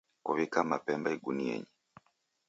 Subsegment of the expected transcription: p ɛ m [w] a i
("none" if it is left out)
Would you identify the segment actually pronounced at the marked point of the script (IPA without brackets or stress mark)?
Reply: b